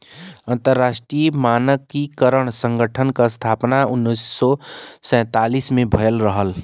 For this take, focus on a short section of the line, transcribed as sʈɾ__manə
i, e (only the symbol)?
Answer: i